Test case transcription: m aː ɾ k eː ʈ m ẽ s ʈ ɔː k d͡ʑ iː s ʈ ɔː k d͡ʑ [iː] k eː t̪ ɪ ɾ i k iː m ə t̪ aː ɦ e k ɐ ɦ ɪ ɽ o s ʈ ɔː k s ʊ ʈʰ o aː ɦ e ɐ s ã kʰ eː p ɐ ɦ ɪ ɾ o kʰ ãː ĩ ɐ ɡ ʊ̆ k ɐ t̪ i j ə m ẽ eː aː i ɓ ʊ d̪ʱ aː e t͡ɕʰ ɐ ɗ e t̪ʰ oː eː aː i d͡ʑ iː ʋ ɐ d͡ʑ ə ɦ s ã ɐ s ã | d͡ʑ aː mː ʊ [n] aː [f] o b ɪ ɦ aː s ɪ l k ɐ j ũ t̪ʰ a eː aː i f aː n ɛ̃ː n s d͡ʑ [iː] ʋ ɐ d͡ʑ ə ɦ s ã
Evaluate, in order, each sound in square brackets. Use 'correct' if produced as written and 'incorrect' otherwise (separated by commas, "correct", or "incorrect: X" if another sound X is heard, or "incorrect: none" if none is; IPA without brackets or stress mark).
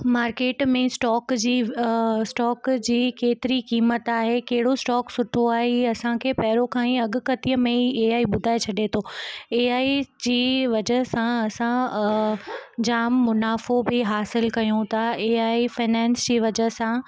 correct, correct, correct, correct